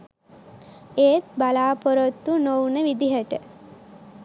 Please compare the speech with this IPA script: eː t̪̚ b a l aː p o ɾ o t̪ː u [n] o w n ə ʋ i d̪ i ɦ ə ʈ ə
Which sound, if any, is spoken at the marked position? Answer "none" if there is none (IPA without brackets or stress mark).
n